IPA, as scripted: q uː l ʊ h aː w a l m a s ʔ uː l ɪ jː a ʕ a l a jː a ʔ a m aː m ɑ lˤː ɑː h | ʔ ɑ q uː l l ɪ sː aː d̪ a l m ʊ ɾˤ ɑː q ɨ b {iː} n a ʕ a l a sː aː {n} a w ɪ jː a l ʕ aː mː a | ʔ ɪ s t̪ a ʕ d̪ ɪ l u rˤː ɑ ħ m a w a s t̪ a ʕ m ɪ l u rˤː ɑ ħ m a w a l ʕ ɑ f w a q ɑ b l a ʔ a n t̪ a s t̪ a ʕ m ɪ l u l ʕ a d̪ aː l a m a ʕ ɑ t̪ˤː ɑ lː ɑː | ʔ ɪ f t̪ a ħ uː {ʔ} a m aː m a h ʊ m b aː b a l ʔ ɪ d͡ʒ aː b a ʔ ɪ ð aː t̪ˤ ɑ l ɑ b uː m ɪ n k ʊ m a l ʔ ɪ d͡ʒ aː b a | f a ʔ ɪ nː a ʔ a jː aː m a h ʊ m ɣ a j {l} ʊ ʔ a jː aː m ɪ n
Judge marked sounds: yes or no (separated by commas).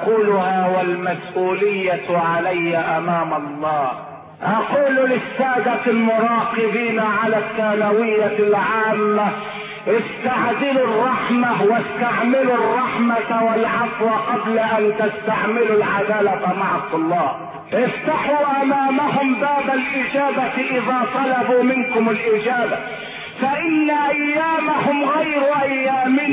yes, yes, yes, no